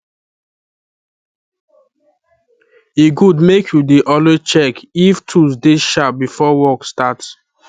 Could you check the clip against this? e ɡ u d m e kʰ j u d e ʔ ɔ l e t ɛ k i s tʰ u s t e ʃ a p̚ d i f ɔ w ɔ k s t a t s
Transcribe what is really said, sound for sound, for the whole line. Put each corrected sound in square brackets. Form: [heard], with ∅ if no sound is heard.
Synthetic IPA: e ɡ u d m e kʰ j u d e ʔ ɔ l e [t͡ʃ] ɛ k i [f] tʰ u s [d] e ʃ a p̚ [b] i f ɔ w ɔ k s t a t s